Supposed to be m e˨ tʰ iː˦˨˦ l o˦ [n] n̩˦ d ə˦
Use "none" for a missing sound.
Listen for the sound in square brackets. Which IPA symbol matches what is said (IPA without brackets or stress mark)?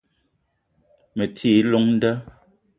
ŋ